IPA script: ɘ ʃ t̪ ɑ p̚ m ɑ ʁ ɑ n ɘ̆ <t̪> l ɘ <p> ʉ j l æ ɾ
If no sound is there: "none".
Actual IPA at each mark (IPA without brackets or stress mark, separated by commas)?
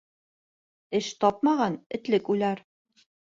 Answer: t̪, k